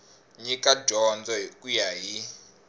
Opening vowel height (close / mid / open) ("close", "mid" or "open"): close